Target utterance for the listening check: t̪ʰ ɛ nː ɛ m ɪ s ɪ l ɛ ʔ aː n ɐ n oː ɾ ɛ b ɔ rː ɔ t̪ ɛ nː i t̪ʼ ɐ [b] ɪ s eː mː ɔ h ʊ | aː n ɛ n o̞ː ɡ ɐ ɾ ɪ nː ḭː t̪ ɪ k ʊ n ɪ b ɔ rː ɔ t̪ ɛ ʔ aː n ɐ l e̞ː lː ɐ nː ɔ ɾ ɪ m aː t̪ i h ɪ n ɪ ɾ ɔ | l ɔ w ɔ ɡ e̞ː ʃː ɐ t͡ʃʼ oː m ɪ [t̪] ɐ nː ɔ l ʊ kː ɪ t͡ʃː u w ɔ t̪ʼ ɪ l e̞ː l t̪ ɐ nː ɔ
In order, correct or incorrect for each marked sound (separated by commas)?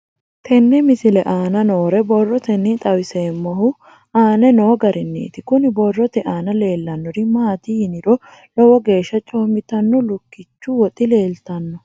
incorrect, correct